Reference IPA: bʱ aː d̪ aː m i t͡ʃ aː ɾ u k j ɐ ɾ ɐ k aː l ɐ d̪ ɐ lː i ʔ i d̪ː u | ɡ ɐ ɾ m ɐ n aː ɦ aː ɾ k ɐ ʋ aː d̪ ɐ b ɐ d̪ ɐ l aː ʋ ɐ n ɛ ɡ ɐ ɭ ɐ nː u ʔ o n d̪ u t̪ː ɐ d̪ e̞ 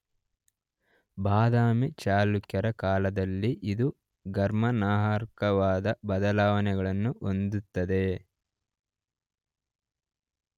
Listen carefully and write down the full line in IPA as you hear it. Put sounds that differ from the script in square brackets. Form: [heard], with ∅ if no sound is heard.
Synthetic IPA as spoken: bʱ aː d̪ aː m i t͡ʃ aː [l] u k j ɐ ɾ ɐ k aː l ɐ d̪ ɐ lː i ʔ i [d̪] u | ɡ ɐ ɾ m ɐ n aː ɦ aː ɾ k ɐ ʋ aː d̪ ɐ b ɐ d̪ ɐ l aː ʋ ɐ n ɛ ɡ ɐ ɭ ɐ nː u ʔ o n d̪ u t̪ː ɐ d̪ e̞

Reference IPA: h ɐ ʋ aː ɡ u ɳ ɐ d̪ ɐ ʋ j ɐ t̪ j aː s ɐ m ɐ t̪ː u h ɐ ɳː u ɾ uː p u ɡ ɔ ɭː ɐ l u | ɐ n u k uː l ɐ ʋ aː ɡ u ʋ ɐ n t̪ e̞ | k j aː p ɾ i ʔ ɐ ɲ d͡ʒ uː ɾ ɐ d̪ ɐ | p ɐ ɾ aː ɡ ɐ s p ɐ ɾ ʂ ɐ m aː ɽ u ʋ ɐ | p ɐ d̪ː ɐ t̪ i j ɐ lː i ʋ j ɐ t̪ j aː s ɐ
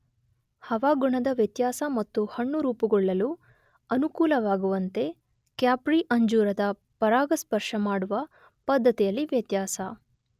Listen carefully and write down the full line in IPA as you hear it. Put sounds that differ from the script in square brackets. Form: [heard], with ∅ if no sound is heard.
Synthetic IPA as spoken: h ɐ ʋ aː ɡ u ɳ ɐ d̪ ɐ ʋ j ɐ t̪ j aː s ɐ m ɐ t̪ː u h ɐ ɳː u ɾ uː p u ɡ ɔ ɭː ɐ l u | ɐ n u k uː l ɐ ʋ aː ɡ u ʋ ɐ n t̪ e̞ | k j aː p ɾ i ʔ ɐ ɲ d͡ʒ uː ɾ ɐ d̪ ɐ | p ɐ ɾ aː ɡ ɐ s p ɐ ɾ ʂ ɐ m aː ɽ u ʋ ɐ | p ɐ d̪ː ɐ t̪ i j ɐ lː i ʋ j ɐ t̪ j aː s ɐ

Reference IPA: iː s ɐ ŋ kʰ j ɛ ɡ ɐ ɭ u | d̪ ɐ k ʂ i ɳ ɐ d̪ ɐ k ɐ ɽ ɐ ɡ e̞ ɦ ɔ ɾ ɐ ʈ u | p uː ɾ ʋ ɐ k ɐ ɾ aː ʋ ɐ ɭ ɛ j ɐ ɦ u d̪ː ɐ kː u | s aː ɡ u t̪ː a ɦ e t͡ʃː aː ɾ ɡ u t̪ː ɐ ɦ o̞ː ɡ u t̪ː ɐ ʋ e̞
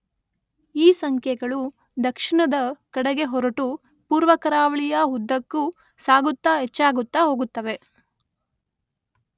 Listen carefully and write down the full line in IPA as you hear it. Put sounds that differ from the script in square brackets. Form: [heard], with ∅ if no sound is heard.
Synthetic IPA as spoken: iː s ɐ ŋ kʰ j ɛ ɡ ɐ ɭ u | d̪ ɐ k ʂ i ɳ ɐ d̪ ɐ k ɐ ɽ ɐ ɡ e̞ ɦ ɔ ɾ ɐ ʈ u | p uː ɾ ʋ ɐ k ɐ ɾ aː ʋ ɐ ɭ [i] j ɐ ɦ u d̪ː ɐ kː u | s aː ɡ u t̪ː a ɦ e t͡ʃː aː [∅] ɡ u t̪ː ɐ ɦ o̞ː ɡ u t̪ː ɐ ʋ e̞

